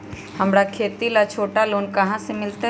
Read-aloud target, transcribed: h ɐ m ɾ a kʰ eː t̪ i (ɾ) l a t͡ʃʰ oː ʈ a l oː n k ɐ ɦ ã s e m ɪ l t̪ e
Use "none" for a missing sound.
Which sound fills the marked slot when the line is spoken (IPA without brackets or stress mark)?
none